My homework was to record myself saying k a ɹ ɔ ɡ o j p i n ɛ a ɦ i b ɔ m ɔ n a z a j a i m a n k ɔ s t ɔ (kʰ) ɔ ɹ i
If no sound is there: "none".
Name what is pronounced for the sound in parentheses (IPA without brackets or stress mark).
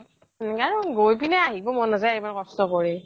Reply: k